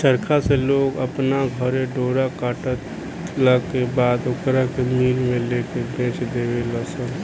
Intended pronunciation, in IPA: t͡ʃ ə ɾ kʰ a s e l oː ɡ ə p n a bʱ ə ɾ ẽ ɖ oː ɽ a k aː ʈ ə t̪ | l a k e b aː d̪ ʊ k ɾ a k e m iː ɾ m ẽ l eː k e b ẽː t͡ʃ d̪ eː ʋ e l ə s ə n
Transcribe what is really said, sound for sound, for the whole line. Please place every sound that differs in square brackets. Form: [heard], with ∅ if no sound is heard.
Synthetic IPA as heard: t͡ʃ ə ɾ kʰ a s e l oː ɡ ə p n a [ɡʱ] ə ɾ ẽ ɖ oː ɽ a k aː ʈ ə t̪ | l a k e b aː d̪ ʊ k ɾ a k e m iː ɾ m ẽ l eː k e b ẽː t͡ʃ d̪ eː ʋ e l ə s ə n